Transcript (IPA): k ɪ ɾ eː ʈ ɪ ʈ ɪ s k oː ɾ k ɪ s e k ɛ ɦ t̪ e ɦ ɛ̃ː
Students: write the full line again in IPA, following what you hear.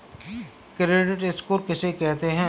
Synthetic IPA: k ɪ ɾ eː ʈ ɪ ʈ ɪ s k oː ɾ k ɪ s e k ɛ ɦ t̪ e ɦ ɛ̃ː